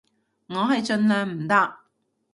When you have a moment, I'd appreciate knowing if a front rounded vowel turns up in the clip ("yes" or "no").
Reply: yes